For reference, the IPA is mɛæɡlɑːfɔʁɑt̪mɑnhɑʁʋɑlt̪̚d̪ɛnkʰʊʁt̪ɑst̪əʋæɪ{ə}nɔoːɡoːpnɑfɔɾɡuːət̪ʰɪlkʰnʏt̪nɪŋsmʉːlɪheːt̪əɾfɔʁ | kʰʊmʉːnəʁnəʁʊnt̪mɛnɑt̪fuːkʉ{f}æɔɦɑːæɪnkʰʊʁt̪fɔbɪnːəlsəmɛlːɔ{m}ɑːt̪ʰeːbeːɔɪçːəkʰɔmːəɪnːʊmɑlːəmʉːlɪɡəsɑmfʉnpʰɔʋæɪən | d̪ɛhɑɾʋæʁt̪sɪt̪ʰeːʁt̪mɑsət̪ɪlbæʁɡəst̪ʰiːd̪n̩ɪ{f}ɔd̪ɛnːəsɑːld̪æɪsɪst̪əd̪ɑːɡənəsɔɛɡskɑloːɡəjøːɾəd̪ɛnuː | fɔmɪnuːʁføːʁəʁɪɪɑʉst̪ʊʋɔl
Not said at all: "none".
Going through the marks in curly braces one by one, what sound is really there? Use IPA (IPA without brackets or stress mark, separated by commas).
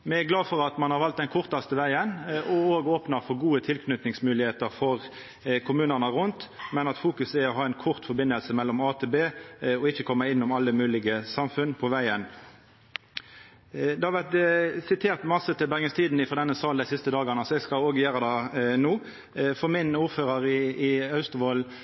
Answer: ə, s, m, f